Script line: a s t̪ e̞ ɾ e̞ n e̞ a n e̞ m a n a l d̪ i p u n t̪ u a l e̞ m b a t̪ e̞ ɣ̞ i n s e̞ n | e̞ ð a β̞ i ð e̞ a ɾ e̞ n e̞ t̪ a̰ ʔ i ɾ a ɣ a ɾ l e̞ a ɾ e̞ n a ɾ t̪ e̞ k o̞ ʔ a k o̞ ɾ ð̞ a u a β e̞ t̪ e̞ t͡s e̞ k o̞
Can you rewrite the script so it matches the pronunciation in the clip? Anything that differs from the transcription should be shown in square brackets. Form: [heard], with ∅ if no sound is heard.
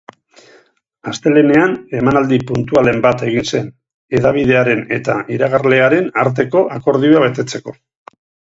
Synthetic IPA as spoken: a s t̪ e̞ [l] e̞ n e̞ a n e̞ m a n a l d̪ i p u n t̪ u a l e̞ m b a t̪ e̞ ɣ̞ i n s e̞ n | e̞ ð a β̞ i ð e̞ a ɾ e̞ n e̞ t̪ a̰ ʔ i ɾ a ɣ a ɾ l e̞ a ɾ e̞ n a ɾ t̪ e̞ k o̞ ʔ a k o̞ ɾ ð̞ [i] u a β e̞ t̪ e̞ t͡s e̞ k o̞